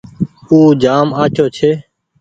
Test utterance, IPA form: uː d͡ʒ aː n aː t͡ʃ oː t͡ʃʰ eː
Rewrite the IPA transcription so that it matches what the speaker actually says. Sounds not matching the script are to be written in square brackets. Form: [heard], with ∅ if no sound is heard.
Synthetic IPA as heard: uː d͡ʒ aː [m] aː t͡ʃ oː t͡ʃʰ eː